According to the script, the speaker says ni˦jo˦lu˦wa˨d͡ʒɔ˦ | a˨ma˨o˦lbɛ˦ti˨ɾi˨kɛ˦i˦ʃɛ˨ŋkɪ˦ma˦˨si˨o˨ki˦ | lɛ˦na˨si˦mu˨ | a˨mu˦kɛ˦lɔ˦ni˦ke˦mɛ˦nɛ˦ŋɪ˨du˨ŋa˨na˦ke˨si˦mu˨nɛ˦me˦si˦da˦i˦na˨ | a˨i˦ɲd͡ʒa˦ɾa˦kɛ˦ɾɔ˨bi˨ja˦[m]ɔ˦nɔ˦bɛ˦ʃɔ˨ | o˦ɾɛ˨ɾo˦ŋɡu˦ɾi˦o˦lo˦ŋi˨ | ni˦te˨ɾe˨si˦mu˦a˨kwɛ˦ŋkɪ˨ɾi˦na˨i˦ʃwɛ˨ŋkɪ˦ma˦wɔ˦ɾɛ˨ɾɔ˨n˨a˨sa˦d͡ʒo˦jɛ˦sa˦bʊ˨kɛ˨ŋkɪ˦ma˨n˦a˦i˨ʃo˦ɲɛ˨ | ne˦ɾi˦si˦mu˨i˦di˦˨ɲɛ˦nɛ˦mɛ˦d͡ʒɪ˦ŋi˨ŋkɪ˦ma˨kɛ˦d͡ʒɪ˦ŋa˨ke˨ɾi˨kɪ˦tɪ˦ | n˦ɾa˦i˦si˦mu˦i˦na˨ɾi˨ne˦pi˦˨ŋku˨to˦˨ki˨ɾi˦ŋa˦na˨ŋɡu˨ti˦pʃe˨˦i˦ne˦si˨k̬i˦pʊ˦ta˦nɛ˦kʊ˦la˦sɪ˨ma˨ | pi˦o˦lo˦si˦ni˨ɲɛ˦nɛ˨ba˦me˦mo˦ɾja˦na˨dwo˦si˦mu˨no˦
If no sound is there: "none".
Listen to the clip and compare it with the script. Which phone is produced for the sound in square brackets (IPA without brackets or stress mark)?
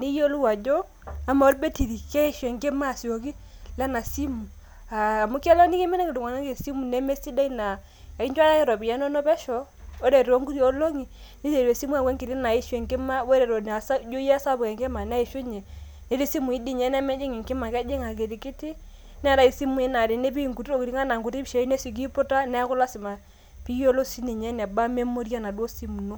n